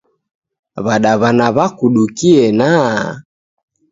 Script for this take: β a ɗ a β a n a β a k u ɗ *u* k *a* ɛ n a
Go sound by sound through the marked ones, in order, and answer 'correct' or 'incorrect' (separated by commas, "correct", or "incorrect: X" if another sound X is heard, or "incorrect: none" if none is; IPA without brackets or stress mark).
correct, incorrect: i